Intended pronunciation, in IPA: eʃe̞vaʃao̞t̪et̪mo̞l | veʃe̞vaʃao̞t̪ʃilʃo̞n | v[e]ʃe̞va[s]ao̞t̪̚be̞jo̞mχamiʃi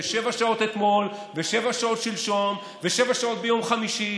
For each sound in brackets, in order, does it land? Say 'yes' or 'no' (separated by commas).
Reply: yes, no